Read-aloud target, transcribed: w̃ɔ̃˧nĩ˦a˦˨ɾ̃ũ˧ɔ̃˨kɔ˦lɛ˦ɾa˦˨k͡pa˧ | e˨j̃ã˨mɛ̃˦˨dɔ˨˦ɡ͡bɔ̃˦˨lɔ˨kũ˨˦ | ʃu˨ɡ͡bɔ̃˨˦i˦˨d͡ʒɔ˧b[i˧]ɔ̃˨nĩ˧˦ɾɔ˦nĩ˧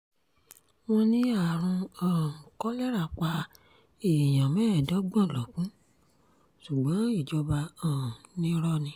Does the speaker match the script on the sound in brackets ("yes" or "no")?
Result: no